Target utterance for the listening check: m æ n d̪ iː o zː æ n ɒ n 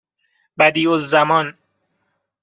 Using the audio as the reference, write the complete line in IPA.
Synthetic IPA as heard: b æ d̪ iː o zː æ m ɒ n